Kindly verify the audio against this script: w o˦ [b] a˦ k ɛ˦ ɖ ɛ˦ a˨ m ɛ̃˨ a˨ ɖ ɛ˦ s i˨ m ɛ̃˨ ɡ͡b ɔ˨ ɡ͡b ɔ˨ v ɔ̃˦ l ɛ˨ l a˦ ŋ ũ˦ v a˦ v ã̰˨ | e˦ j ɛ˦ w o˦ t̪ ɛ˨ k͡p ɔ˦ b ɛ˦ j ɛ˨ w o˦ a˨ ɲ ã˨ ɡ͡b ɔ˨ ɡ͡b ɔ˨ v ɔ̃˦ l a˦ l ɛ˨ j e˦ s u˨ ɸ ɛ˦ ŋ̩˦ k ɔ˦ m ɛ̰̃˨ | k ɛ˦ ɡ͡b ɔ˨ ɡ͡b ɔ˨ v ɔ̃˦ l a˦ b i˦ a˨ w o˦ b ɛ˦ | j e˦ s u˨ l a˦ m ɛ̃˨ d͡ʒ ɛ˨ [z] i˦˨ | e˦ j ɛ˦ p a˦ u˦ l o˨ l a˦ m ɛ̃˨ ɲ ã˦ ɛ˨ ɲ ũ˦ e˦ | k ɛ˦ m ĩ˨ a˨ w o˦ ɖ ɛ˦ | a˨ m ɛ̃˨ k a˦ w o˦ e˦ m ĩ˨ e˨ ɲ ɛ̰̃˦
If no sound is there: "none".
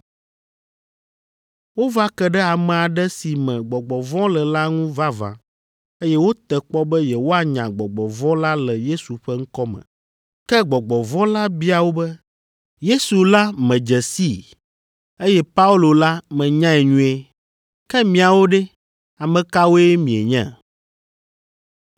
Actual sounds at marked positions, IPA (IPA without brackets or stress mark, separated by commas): v, s